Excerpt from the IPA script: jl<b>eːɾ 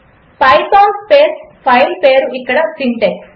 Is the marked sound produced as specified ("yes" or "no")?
no